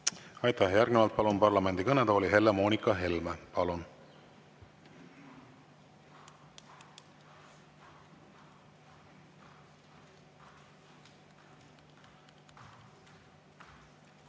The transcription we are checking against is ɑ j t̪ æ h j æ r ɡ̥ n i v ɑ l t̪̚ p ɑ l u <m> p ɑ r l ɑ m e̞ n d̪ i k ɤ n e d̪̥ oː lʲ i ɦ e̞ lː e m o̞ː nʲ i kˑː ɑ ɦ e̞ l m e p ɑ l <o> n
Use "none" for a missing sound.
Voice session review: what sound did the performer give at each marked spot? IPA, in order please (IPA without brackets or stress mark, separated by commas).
n, u